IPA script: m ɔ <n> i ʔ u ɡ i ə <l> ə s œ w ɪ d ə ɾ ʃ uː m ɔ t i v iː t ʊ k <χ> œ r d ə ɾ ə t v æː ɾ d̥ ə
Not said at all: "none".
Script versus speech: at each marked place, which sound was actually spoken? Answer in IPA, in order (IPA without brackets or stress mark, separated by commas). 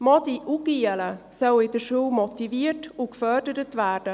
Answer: d, l, f